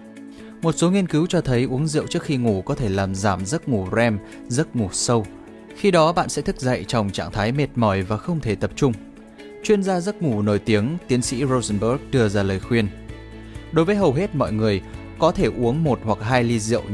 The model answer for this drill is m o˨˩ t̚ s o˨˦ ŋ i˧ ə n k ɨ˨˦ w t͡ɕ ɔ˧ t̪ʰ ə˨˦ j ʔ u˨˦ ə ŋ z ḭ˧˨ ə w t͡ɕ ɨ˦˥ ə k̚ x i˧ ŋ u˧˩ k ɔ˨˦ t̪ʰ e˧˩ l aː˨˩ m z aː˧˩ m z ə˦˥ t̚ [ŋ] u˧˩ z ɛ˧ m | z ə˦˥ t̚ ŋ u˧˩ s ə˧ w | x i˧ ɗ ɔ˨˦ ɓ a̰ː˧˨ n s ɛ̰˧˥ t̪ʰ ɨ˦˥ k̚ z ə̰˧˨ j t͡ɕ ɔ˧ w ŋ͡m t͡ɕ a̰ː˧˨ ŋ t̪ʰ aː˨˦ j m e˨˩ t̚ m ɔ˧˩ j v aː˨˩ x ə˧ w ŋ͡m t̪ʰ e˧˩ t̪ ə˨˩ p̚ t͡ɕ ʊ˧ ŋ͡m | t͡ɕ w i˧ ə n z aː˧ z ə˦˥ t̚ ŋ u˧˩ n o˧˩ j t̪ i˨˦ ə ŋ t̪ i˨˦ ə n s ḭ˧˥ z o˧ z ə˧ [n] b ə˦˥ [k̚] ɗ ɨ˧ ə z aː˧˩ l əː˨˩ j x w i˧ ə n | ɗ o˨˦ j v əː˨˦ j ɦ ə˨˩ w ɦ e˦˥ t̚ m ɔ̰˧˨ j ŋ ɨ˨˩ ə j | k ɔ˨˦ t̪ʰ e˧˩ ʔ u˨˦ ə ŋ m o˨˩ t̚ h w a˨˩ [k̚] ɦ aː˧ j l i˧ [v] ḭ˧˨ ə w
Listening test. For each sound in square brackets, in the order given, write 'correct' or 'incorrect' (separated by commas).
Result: correct, correct, correct, correct, incorrect